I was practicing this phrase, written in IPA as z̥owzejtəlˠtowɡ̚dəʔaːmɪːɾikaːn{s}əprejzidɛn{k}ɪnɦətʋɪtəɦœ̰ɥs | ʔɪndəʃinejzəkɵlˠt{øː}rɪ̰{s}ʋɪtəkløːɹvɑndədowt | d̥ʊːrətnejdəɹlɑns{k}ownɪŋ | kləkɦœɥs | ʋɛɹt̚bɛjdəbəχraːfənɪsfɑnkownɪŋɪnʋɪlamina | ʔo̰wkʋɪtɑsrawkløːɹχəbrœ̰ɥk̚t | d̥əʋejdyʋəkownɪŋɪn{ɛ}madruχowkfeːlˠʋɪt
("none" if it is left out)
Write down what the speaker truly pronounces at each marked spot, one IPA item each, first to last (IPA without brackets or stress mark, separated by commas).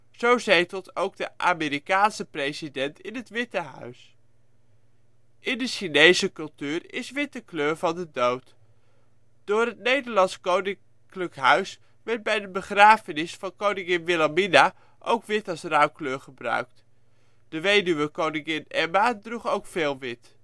s, t, yː, s, k, ɛ